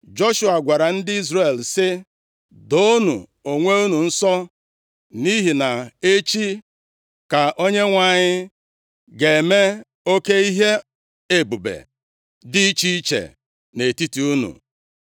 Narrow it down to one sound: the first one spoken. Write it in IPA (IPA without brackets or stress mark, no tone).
d͡ʒ